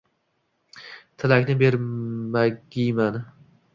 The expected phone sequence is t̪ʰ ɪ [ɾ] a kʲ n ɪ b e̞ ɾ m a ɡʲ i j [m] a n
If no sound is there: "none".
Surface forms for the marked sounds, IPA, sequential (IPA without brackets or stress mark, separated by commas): l, m